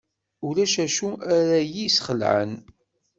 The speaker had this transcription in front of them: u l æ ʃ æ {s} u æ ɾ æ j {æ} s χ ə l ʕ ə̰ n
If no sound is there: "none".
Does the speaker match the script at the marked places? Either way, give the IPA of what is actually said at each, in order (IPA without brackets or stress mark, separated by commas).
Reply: ʃ, i